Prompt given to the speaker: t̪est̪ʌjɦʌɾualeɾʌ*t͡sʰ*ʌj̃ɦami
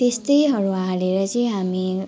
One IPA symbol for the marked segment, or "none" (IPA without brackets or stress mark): t͡s